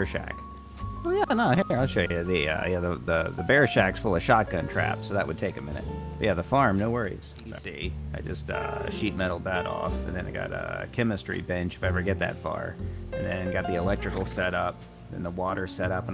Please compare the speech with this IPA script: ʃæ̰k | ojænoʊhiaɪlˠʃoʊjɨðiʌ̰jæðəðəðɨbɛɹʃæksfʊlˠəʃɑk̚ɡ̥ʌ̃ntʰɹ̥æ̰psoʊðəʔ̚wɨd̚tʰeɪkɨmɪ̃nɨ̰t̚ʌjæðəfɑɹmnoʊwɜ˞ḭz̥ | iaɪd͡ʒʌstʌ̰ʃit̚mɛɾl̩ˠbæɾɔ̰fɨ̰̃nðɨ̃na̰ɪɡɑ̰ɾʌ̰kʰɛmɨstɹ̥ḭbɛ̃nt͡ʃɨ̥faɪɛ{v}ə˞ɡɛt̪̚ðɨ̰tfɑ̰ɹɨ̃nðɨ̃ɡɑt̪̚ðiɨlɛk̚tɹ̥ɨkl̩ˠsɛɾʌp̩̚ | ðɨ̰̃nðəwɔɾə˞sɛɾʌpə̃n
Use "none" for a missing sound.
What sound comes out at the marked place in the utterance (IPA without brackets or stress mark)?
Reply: v